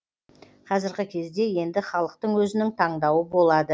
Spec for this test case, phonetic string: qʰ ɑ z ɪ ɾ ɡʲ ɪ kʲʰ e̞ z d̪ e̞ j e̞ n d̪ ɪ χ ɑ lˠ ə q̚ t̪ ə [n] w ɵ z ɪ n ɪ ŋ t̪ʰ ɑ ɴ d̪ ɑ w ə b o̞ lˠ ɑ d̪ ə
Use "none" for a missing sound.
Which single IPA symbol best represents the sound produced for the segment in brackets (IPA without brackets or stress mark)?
ɴ